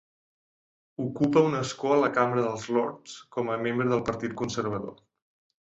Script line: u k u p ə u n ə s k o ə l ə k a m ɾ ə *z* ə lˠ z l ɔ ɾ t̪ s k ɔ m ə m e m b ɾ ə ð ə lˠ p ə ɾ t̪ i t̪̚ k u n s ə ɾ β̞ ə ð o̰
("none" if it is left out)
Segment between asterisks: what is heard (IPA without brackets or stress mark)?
ð